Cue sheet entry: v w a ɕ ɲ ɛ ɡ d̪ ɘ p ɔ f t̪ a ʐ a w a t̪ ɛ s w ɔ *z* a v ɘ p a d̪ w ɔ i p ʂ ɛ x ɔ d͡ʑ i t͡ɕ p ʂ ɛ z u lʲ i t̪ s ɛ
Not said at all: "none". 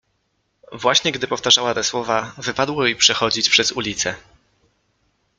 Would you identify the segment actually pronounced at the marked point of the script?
v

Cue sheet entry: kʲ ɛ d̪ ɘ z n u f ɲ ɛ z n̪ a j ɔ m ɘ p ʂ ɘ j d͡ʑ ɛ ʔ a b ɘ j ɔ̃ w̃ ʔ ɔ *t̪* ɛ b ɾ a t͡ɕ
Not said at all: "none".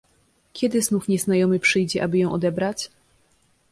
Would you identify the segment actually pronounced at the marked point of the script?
d̪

